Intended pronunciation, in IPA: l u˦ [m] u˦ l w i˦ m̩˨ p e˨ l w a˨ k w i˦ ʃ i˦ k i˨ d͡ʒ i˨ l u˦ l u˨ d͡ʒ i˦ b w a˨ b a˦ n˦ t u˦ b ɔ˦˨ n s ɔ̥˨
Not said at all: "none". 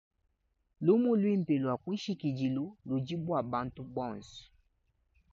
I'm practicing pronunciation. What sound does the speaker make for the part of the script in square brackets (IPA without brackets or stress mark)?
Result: m